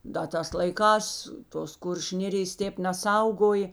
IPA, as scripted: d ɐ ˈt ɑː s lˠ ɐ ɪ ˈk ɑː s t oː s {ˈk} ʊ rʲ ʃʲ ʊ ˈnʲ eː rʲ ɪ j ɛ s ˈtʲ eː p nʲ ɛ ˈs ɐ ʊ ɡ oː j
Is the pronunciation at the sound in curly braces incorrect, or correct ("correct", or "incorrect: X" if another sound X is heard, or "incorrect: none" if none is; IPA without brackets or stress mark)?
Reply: correct